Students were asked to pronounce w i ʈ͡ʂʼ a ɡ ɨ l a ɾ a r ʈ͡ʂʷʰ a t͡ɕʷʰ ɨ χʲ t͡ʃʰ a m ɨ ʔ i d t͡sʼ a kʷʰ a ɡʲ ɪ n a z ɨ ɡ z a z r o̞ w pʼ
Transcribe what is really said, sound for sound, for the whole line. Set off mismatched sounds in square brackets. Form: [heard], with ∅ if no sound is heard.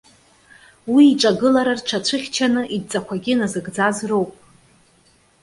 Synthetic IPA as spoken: w [iː] ʈ͡ʂʼ a ɡ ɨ l a ɾ a r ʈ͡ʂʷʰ a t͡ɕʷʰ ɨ χʲ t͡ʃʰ a [n] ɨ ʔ i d t͡sʼ a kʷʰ a ɡʲ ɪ n a z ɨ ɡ [d͡z] a z r o̞ w pʼ